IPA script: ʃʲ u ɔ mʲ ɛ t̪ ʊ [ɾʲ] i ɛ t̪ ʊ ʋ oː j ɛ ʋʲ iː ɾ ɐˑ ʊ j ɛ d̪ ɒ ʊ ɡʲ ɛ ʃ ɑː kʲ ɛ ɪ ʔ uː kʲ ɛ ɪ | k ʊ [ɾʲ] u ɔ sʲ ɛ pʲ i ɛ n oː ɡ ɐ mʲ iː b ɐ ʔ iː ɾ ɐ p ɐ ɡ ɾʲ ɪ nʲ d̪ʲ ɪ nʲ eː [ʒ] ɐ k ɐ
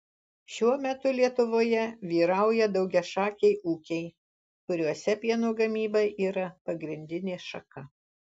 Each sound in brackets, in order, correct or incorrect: incorrect, correct, incorrect

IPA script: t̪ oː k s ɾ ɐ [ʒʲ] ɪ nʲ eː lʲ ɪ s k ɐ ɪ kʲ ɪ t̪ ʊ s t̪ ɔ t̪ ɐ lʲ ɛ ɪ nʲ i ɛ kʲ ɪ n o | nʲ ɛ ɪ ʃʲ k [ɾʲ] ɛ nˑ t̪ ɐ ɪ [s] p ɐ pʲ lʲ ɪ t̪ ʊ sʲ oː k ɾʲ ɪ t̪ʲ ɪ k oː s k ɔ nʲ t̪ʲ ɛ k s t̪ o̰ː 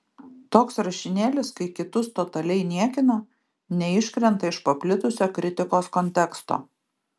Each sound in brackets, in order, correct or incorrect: incorrect, correct, incorrect

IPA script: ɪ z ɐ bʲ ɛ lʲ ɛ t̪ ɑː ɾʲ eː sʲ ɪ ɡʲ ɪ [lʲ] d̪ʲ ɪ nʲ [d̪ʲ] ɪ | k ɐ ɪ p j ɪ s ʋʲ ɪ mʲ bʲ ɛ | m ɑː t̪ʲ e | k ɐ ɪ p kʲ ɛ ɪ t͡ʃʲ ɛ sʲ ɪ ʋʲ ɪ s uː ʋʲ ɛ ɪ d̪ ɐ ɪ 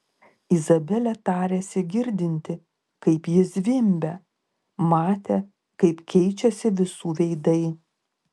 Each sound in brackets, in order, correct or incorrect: incorrect, incorrect

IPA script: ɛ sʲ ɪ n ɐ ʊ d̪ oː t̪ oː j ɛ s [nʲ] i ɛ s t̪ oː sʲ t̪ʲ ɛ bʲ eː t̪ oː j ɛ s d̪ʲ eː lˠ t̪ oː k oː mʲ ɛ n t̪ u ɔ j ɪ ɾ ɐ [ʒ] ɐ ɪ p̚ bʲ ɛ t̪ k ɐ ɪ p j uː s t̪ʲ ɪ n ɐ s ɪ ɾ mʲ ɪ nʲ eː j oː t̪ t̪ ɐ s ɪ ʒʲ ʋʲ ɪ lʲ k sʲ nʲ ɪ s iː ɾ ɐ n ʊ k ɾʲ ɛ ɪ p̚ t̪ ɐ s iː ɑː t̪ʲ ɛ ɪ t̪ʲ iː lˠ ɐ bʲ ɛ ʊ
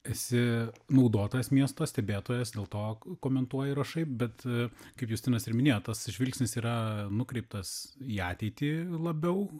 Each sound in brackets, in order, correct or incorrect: incorrect, incorrect

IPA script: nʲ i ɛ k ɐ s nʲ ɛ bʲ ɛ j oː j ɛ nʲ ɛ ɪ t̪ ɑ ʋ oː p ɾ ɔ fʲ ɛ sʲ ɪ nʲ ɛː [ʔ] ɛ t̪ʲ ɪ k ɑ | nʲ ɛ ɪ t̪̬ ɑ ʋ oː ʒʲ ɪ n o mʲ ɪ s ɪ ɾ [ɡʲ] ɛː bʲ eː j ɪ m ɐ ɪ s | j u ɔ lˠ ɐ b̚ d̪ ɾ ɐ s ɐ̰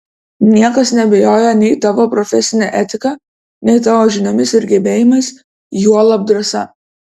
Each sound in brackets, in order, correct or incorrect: correct, correct

